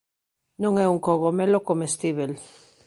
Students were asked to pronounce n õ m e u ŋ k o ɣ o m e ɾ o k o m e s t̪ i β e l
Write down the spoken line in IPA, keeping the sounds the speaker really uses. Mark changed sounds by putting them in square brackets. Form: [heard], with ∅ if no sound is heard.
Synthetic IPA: n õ [ŋ] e u ŋ k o ɣ o m e [l] o k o m e s t̪ i β e l